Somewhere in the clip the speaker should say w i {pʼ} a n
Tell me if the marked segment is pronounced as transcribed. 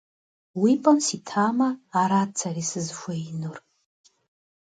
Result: yes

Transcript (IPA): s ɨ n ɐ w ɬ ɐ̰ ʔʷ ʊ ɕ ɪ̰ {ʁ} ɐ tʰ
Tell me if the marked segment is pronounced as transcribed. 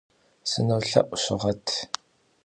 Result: yes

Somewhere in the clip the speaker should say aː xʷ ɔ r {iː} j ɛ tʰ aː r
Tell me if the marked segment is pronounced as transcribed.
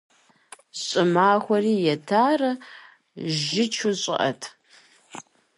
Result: yes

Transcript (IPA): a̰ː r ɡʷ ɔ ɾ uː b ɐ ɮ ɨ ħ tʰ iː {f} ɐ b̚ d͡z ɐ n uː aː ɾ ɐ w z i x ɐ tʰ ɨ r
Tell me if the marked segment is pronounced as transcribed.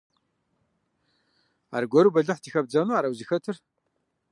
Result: no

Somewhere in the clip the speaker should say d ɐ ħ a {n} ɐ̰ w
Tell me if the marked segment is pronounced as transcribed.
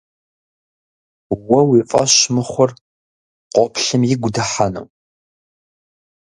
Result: yes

